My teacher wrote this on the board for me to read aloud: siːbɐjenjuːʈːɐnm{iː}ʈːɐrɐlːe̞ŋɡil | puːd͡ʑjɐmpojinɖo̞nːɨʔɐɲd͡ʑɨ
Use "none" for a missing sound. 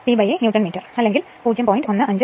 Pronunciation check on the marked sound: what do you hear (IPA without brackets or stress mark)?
iː